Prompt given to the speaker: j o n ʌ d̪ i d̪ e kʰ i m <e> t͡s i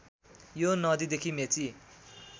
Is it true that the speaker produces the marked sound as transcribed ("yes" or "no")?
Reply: yes